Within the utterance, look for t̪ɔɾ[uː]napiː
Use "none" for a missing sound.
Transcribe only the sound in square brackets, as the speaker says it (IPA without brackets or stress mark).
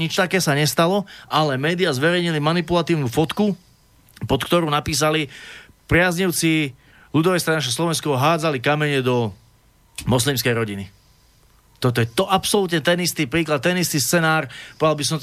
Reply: uː